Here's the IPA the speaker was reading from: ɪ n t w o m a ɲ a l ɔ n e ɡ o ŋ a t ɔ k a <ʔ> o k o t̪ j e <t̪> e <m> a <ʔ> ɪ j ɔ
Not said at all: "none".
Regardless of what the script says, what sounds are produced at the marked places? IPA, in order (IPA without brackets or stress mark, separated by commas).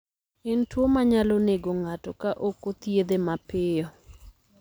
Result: ʔ, d̪, m, p